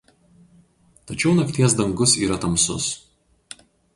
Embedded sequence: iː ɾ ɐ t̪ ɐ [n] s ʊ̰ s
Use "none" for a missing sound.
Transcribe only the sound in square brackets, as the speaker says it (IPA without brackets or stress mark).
m